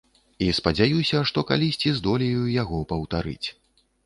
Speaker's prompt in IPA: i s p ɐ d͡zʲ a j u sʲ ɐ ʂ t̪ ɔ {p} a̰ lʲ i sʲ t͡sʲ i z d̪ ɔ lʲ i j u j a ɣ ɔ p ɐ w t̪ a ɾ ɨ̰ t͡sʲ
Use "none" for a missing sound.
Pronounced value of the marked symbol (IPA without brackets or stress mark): k